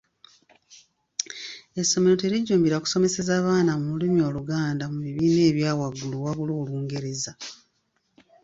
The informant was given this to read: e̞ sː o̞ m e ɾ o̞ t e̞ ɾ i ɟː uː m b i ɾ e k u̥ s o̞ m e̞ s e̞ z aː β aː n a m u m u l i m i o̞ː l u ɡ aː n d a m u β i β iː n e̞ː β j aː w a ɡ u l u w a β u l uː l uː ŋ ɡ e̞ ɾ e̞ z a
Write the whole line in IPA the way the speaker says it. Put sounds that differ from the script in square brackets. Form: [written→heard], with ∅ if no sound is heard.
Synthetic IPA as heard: e̞ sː o̞ m e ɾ o̞ t e̞ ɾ i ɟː uː m b i ɾ [e→a] k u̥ s o̞ m e̞ s e̞ z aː β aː n a m u m u l i m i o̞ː l u ɡ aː n d a m u β i β iː n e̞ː β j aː w a ɡ u l u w a β u l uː l uː ŋ ɡ e̞ ɾ e̞ z a